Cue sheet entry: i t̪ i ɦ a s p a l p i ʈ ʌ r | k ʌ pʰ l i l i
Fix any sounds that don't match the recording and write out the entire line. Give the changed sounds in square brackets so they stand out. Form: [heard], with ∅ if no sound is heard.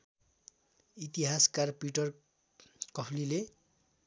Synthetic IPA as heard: i t̪ i ɦ a s [k] a [r] p i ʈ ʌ r | k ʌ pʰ l i l [e]